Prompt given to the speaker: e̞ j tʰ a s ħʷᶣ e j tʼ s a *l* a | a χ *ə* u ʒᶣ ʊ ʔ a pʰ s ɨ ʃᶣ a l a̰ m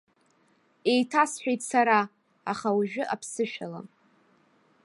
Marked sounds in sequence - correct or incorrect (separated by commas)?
incorrect, incorrect